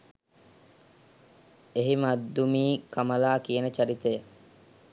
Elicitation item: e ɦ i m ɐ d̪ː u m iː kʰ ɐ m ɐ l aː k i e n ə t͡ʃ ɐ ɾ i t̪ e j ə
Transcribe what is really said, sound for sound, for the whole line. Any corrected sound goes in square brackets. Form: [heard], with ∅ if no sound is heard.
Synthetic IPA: e ɦ i m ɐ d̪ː u m iː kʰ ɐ m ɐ l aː k i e n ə t͡ʃ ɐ ɾ i t̪ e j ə